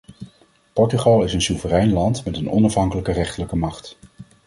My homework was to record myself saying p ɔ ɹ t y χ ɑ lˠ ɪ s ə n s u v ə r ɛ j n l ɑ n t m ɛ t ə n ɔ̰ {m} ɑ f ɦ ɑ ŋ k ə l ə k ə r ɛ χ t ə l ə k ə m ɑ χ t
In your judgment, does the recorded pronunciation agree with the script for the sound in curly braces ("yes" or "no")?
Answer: no